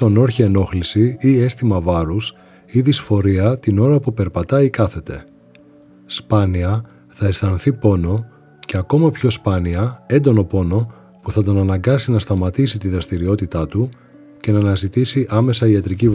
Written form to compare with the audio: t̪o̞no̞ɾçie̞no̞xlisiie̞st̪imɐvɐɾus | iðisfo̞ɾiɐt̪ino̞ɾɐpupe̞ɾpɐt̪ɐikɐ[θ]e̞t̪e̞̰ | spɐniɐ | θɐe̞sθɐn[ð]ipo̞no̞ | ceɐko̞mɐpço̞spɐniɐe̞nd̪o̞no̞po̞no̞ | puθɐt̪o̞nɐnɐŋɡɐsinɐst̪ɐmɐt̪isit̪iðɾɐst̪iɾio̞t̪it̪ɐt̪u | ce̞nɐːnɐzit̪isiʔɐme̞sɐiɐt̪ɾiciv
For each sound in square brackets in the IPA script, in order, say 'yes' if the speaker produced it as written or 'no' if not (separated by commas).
yes, no